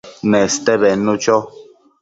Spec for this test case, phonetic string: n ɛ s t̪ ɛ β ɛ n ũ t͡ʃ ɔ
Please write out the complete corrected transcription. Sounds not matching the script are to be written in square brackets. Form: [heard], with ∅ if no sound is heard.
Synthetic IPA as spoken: n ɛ s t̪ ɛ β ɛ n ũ t͡ʃ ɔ

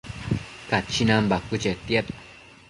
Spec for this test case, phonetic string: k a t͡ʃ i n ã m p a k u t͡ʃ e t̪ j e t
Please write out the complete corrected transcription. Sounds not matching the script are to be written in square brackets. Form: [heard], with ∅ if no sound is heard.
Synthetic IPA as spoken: k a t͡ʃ i n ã m [b] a k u t͡ʃ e t̪ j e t

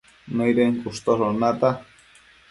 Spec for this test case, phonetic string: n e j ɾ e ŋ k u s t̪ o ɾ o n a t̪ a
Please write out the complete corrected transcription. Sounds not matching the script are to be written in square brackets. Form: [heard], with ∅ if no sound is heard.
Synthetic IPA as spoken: n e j ɾ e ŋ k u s t̪ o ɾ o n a t̪ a

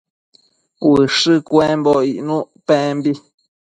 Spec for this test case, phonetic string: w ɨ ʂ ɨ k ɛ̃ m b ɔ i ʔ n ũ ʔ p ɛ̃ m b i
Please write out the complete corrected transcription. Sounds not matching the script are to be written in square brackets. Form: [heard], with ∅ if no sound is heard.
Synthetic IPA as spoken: w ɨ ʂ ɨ k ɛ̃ m b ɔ i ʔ n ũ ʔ p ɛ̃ m b i

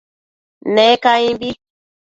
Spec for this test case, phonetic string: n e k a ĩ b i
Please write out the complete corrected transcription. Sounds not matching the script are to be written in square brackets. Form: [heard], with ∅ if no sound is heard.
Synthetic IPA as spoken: n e k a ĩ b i

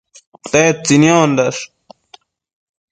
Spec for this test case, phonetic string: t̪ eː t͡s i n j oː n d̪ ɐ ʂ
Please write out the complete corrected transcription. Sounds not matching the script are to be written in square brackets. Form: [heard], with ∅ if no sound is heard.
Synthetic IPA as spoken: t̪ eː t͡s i n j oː n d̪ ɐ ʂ

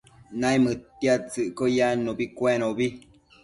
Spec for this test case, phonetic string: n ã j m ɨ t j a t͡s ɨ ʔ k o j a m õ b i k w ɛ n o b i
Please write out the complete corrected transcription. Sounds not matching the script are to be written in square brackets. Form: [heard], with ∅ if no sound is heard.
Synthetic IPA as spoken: n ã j m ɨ t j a t͡s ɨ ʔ k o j a [n] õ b i k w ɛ n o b i

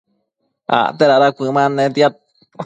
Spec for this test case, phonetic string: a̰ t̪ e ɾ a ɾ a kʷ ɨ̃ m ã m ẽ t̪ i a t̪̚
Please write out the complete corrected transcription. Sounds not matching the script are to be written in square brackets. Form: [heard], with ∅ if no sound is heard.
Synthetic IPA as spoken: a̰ t̪ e ɾ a ɾ a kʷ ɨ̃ m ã [n] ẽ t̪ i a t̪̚

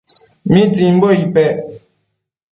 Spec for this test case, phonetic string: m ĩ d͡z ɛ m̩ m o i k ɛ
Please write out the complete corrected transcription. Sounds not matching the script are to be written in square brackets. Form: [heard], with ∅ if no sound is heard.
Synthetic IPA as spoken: m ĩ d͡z [i] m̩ [b] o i [p] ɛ

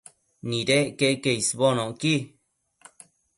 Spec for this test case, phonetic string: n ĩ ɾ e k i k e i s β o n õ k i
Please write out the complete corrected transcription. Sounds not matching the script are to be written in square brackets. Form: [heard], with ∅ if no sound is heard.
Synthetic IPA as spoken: n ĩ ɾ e k [e] k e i s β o n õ k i

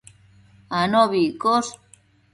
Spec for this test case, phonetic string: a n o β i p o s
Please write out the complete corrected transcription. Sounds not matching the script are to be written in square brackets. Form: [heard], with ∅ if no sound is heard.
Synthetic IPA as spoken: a n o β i [k] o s

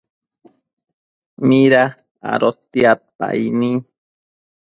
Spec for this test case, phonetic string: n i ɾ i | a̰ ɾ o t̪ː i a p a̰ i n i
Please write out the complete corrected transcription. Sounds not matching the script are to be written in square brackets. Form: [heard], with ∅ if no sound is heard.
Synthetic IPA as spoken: [m] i ɾ [a] | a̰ ɾ o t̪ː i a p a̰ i n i

